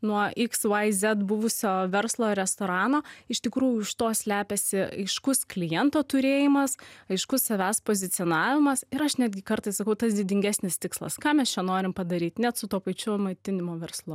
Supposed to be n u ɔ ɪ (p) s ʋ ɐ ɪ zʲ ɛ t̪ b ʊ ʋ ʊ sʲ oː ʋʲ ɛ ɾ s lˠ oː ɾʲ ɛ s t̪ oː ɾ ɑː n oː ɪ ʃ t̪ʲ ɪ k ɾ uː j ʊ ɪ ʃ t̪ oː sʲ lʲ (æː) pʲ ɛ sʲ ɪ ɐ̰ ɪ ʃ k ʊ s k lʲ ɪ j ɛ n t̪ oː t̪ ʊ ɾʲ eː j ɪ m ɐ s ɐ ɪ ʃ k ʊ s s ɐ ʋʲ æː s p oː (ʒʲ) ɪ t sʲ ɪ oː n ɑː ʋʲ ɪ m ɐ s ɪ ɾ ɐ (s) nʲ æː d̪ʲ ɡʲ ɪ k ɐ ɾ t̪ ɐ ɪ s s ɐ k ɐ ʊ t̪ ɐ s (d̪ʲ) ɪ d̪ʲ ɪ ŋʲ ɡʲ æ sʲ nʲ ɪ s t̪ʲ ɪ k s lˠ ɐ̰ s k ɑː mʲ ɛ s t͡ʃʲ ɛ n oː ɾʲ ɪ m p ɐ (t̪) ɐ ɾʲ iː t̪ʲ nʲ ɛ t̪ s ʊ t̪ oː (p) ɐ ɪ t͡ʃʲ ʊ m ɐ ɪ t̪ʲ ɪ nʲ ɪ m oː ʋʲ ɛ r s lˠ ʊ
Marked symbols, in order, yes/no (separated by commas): no, yes, no, no, yes, no, yes